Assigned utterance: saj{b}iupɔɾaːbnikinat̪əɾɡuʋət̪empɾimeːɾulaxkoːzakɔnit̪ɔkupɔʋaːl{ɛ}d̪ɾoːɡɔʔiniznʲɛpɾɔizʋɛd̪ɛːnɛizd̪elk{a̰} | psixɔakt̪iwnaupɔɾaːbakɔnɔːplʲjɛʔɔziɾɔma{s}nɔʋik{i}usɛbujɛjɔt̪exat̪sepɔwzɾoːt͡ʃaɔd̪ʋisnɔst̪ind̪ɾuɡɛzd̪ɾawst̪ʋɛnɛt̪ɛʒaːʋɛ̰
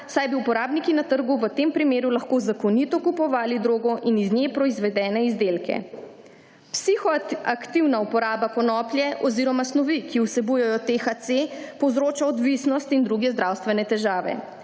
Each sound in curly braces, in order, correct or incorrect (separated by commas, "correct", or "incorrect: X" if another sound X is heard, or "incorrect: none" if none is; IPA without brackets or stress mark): correct, incorrect: i, incorrect: ɛ̰, correct, correct